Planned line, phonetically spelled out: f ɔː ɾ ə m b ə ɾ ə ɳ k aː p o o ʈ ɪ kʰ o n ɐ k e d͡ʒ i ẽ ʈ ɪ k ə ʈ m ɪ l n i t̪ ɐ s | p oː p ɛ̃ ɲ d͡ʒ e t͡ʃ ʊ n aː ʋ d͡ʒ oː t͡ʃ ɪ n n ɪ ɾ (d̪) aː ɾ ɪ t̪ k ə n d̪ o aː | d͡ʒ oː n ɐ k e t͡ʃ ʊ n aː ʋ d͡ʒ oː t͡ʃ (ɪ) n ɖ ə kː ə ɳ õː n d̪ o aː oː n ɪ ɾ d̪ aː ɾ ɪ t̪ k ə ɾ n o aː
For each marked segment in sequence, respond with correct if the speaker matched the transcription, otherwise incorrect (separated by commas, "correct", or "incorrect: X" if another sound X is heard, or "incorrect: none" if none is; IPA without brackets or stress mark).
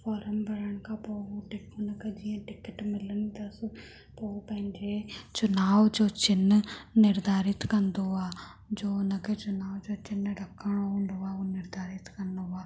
correct, correct